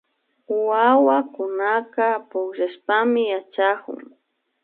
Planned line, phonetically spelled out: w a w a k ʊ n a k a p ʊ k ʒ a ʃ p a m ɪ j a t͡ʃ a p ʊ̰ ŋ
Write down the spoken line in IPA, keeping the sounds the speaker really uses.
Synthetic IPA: w a w a k ʊ n a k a p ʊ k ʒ a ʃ p a m ɪ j a t͡ʃ a k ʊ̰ ŋ

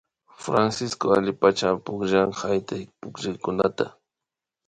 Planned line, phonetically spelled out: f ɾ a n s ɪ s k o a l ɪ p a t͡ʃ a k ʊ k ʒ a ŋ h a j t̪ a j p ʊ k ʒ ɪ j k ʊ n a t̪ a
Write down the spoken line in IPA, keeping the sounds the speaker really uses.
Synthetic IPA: f ɾ a n s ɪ s k o a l ɪ p a t͡ʃ a p ʊ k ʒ a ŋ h a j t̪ a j p ʊ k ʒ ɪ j k ʊ n a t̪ a

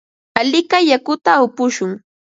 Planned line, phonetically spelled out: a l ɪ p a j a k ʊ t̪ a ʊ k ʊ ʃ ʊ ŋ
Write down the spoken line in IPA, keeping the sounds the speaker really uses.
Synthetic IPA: a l ɪ k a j a k ʊ t̪ a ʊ p ʊ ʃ ʊ ŋ

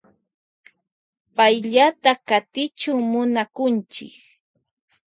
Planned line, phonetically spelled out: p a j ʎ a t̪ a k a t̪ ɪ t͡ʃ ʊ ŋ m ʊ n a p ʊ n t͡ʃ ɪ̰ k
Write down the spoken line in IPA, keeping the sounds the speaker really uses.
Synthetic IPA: p a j ʎ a t̪ a k a t̪ ɪ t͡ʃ ʊ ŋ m ʊ n a k ʊ n t͡ʃ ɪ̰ k

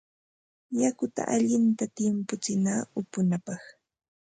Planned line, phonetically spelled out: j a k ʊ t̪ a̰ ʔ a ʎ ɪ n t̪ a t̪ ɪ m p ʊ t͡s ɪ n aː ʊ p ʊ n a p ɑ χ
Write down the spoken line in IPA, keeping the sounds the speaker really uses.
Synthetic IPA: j a k ʊ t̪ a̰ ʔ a ʎ ɪ n t̪ a t̪ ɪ m p ʊ t͡s ɪ n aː ʊ p ʊ n a p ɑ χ

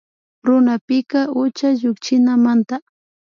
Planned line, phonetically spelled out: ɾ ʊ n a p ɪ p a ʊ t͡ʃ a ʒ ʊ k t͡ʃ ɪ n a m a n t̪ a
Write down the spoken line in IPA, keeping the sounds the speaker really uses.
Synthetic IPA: ɾ ʊ n a p ɪ k a ʊ t͡ʃ a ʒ ʊ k t͡ʃ ɪ n a m a n t̪ a

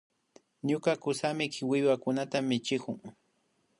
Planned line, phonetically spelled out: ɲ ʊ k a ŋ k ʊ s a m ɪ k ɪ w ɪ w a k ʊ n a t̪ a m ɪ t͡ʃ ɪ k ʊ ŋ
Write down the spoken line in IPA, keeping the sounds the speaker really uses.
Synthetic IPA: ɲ ʊ k a k ʊ s a m ɪ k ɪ w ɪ w a k ʊ n a t̪ a m ɪ t͡ʃ ɪ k ʊ ŋ

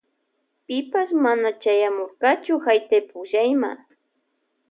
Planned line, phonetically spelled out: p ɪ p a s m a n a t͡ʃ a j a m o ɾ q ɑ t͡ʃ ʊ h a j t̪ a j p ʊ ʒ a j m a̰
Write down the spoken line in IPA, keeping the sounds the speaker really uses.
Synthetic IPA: p ɪ p a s m a n a t͡ʃ a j a m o ɾ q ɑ t͡ʃ ʊ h a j t̪ a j p ʊ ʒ a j m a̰

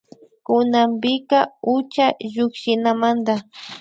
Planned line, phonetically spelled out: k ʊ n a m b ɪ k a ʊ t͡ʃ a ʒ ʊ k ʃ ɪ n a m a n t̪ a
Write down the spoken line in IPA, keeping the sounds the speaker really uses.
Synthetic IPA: k ʊ n a m b ɪ k a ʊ t͡ʃ a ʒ ʊ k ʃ ɪ n a m a n d̪ a

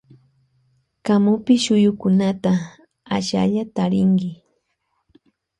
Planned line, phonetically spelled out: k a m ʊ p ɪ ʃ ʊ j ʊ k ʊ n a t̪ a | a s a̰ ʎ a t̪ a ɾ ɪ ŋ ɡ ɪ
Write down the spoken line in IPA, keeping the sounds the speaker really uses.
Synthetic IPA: k a m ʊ p ɪ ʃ ʊ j ʊ k ʊ n a t̪ a | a ʃ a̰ ʎ a t̪ a ɾ ɪ ŋ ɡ ɪ

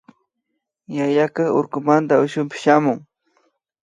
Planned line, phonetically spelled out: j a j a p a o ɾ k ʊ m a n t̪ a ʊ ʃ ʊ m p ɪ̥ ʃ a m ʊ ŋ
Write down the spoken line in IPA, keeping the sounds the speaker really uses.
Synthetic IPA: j a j a k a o ɾ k ʊ m a n t̪ a ʊ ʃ ʊ m p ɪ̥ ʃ a m ʊ ŋ

